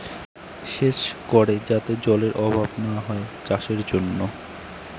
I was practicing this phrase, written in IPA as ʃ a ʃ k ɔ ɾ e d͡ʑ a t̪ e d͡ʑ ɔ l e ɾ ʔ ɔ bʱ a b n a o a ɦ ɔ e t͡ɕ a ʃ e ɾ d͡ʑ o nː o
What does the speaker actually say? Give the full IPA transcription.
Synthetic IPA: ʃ e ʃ k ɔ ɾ e d͡ʑ a t̪ e d͡ʑ ɔ l e ɾ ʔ ɔ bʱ a b n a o a ɦ ɔ e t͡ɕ a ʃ e ɾ d͡ʑ o nː o